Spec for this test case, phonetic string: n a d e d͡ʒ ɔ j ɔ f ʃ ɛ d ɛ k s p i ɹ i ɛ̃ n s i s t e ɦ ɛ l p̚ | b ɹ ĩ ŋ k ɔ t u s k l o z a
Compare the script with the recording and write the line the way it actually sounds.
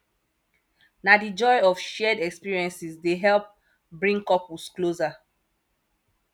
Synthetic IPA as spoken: n a d i d͡ʒ ɔ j ɔ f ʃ ɛ d ɛ k s p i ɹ i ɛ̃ n s i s d e ɦ ɛ l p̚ | b ɹ ĩ ŋ k ɔ p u s k l o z a